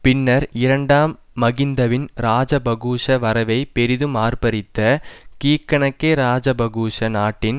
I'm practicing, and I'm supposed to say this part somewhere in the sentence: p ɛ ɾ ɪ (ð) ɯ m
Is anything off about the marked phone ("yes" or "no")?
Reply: no